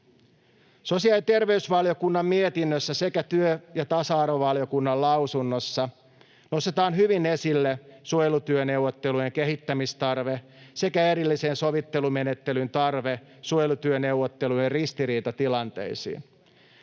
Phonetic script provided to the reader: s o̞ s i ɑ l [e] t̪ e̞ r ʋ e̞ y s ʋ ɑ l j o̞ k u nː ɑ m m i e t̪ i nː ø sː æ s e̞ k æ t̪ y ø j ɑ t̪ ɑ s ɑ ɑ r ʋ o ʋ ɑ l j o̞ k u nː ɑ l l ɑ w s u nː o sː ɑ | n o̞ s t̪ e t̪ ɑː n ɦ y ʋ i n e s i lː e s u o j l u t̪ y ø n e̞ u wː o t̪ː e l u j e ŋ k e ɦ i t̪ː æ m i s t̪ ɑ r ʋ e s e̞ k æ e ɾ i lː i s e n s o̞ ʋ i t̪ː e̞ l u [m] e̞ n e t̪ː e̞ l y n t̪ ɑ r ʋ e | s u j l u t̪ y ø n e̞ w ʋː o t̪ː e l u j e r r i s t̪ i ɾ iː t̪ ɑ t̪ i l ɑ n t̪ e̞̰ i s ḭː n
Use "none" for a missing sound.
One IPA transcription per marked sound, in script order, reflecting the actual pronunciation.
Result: i, m

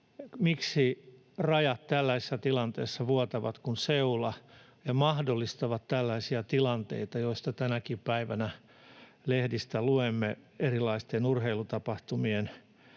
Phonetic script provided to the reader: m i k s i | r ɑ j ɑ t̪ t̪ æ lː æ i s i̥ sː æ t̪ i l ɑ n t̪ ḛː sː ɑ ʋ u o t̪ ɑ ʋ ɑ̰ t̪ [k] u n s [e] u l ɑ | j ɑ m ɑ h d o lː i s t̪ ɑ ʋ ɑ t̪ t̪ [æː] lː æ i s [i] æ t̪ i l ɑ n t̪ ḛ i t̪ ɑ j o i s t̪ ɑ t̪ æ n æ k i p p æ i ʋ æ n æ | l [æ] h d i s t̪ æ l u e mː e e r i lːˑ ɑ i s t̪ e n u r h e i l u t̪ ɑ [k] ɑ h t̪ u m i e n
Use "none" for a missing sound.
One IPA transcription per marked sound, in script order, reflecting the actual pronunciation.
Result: k, e, æ, i, e, p

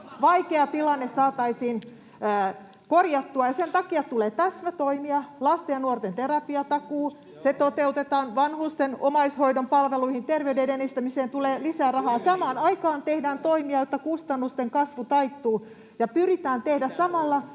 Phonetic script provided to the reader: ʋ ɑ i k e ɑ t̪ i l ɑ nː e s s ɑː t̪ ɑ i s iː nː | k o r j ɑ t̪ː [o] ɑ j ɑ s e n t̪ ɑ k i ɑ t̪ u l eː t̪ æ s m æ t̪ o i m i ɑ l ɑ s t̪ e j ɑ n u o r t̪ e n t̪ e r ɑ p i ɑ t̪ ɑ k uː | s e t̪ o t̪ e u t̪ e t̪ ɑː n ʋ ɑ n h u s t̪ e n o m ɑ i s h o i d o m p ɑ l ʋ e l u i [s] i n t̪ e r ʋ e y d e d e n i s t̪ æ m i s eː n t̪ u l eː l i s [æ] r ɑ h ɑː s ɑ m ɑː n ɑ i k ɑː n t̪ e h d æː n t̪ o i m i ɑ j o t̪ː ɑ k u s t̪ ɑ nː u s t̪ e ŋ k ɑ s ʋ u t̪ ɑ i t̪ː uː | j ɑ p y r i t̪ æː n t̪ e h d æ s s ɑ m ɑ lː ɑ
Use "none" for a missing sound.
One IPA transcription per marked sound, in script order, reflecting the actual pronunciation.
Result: u, h, æː

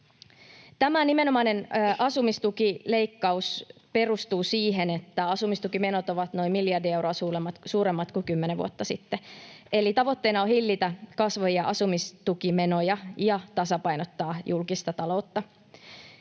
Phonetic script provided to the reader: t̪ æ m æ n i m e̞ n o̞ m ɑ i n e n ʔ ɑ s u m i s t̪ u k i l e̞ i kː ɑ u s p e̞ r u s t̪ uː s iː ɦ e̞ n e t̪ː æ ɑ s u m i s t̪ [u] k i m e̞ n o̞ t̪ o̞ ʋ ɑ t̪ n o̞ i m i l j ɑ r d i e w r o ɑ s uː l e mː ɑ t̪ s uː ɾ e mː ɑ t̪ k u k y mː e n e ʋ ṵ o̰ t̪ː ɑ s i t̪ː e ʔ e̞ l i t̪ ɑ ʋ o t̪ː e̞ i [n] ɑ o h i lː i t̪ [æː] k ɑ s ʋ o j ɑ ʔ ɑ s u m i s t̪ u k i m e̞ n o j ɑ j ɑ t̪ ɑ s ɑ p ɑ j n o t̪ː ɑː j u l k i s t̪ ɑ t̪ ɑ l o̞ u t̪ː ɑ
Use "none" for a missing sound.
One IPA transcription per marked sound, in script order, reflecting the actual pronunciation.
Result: u, n, æ

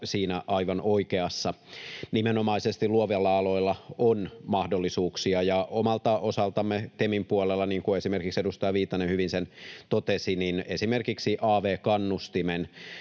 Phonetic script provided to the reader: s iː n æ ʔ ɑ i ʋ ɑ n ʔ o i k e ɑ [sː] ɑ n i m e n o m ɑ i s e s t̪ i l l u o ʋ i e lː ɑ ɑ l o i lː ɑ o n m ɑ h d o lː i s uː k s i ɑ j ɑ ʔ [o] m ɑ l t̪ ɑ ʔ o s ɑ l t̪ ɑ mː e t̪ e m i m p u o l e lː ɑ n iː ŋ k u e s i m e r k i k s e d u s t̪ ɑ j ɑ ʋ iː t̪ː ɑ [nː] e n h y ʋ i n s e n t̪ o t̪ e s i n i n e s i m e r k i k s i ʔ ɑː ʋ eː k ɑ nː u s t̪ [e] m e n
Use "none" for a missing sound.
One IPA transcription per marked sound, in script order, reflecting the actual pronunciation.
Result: sː, o, n, i

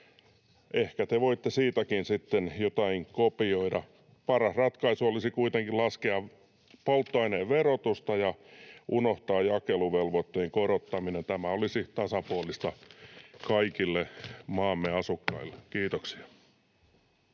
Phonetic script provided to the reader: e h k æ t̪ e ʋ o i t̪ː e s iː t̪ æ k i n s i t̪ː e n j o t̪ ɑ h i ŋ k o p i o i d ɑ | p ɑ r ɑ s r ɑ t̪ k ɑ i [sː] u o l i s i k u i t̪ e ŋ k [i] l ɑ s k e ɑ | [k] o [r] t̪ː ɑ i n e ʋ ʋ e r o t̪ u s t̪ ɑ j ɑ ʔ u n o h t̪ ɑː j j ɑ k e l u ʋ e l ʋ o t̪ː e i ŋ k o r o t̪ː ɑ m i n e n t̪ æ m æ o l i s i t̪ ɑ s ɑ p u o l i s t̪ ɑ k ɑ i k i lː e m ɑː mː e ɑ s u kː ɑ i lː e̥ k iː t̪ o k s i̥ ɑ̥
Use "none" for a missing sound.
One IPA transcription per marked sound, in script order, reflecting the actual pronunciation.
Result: s, i, p, l

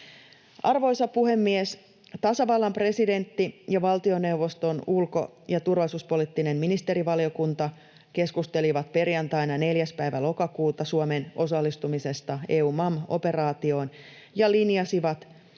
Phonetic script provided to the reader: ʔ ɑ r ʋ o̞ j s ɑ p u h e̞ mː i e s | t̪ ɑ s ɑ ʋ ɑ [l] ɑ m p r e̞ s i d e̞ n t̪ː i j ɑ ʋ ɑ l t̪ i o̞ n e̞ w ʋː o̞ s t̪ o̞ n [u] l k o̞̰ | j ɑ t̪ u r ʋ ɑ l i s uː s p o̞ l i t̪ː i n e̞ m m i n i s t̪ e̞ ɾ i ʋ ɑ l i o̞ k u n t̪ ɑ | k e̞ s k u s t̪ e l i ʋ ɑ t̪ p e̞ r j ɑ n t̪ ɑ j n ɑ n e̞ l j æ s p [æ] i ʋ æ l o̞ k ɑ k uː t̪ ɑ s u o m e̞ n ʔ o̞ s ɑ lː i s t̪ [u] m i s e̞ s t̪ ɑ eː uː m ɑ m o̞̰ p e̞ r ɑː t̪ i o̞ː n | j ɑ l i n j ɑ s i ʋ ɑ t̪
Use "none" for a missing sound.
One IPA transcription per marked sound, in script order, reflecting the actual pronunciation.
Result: lː, u, æ, u

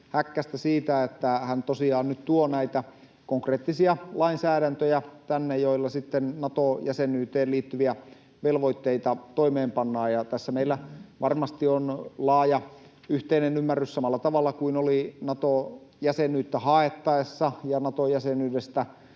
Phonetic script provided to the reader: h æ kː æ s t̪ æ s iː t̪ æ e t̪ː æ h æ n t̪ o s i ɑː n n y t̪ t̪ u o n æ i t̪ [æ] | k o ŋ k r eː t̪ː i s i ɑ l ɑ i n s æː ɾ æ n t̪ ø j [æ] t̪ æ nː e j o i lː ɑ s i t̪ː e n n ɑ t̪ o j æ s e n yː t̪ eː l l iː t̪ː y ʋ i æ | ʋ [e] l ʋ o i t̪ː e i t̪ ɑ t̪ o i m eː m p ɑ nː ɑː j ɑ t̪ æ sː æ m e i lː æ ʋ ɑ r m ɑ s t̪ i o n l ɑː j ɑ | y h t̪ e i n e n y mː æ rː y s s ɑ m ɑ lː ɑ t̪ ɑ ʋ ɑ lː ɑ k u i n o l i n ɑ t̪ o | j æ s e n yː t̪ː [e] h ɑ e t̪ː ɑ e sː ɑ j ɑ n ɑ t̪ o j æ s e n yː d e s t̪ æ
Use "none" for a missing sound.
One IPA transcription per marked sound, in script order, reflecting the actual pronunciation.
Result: æ, æ, e, æ

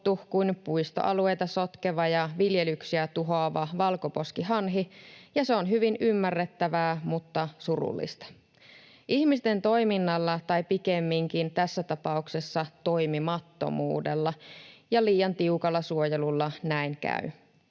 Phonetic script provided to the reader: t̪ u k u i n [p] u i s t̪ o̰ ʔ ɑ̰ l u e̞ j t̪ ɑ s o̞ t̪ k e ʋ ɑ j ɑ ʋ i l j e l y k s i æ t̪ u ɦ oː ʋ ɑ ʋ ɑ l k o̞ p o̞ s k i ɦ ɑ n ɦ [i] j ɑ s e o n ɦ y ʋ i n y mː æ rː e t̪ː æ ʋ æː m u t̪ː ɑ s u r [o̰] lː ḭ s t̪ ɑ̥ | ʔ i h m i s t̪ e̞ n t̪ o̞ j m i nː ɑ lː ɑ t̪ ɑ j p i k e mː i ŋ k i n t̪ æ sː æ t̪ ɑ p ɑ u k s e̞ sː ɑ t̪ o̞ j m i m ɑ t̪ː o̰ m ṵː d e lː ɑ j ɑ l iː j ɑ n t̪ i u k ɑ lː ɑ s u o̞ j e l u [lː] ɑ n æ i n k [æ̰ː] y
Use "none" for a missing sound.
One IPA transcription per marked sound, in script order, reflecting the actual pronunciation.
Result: p, i, ṵ, lː, æ̰

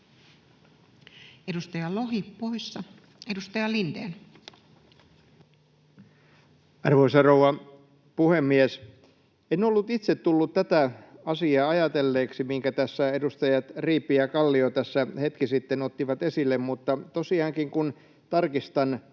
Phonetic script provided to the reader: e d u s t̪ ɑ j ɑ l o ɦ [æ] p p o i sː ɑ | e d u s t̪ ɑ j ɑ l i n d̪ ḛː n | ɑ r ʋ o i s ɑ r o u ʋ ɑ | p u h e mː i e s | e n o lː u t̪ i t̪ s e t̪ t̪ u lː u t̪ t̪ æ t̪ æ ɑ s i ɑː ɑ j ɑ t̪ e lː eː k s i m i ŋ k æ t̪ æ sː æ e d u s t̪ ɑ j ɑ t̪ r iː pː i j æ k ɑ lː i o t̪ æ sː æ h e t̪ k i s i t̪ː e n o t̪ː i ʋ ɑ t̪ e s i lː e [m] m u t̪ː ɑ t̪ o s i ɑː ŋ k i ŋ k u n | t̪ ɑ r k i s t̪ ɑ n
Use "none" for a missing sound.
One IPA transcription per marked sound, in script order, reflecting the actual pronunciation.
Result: i, m

